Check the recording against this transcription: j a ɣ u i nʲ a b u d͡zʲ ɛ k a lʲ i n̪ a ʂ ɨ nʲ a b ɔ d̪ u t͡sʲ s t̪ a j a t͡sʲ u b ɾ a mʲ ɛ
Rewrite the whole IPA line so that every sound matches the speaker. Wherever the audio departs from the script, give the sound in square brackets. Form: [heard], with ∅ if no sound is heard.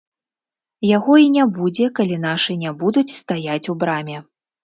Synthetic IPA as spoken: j a ɣ [ɔ] i nʲ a b u d͡zʲ ɛ k a lʲ i n̪ a ʂ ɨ nʲ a b [u] d̪ u t͡sʲ s t̪ a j a t͡sʲ u b ɾ a mʲ ɛ